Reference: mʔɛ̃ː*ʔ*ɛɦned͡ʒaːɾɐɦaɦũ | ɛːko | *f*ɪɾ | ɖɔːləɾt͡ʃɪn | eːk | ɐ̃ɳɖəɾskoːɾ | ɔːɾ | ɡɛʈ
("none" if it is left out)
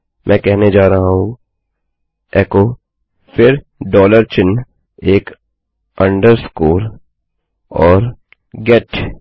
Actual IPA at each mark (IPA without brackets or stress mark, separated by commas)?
k, f